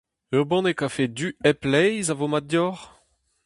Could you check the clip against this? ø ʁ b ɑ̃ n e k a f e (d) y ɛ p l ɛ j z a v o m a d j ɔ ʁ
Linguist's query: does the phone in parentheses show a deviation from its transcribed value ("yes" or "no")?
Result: no